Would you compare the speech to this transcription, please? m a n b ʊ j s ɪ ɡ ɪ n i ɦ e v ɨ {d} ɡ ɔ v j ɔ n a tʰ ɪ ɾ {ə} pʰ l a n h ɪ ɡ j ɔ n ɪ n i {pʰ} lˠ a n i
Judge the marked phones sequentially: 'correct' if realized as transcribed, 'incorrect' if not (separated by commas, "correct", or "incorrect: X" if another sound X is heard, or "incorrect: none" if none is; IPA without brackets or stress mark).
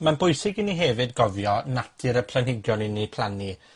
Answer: correct, correct, correct